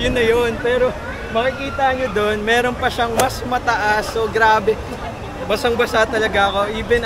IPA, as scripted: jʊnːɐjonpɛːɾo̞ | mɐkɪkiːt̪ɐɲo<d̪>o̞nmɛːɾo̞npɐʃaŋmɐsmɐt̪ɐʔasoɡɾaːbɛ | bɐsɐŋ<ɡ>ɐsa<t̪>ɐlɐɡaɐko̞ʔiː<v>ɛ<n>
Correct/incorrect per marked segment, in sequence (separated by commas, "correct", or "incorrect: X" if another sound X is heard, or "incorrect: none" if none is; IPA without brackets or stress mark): correct, incorrect: b, correct, incorrect: b, correct